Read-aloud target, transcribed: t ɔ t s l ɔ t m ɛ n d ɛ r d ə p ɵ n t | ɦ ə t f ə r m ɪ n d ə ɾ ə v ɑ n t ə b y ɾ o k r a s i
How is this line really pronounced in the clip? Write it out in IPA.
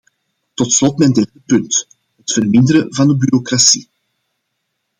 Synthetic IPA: t ɔ t s l ɔ t m ɛ n d ɛ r d ə p ɵ n t | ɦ ə t f ə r m ɪ n d ə ɾ ə v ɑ n d ə b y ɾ o k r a s i